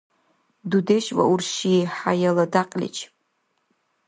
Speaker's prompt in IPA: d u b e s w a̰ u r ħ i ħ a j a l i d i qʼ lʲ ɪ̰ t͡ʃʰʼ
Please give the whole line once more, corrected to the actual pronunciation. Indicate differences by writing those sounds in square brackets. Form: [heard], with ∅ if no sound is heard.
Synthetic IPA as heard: d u [d] e [ʃ] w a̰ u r [ʃ] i ħ a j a l [a] d [a] qʼ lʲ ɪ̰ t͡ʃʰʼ